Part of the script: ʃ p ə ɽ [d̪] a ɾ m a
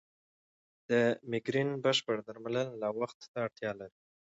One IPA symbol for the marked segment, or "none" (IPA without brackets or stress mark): d̪